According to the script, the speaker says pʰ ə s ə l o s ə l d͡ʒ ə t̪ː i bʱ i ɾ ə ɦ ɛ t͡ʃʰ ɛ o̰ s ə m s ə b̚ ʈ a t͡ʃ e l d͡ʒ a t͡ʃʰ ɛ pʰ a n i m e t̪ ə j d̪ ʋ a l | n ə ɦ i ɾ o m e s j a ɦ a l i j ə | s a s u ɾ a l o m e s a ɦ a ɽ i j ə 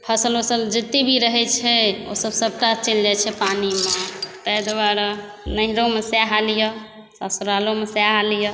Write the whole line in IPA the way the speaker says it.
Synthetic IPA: pʰ ə s ə l o s ə l d͡ʒ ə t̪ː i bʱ i ɾ ə ɦ ɛ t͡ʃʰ ɛ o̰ s ə b s ə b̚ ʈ a t͡ʃ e l d͡ʒ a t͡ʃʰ ɛ p a n i m e t̪ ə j d̪ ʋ a ɾ | n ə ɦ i ɾ o m e s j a ɦ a l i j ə | s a s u ɾ a l o m e s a ɦ a l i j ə